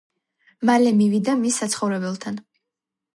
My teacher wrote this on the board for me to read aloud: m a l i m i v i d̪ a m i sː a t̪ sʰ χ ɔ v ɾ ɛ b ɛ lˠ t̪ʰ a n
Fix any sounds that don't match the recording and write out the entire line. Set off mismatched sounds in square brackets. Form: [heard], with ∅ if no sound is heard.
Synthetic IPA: m a l [ɛ] m i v i d̪ a m i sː a t̪ sʰ χ ɔ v ɾ ɛ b ɛ lˠ t̪ʰ a n